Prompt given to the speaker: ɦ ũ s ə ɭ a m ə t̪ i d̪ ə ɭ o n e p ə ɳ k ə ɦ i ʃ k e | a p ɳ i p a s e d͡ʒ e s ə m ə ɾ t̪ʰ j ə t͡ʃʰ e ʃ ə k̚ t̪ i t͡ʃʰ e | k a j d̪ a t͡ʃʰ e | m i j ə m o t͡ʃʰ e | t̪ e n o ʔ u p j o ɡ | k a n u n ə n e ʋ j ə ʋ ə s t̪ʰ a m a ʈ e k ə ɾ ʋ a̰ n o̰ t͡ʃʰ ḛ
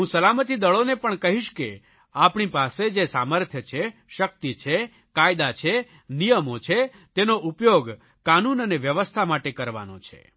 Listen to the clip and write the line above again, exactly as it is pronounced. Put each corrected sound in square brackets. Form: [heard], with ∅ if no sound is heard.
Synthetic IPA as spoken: ɦ ũ s ə [l] a m ə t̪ i d̪ ə ɭ o n e p ə ɳ k ə ɦ i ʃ k e | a p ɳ i p a s e d͡ʒ e s [a] m ə ɾ t̪ʰ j ə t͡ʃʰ e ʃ ə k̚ t̪ i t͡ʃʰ e | k a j d̪ a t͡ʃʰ e | [n] i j ə m o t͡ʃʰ e | t̪ e n o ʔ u p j o ɡ | k a n u n ə n e ʋ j ə ʋ ə s t̪ʰ a m a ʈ e k ə ɾ ʋ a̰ n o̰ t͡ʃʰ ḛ